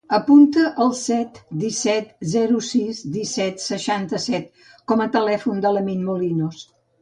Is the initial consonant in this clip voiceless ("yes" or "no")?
yes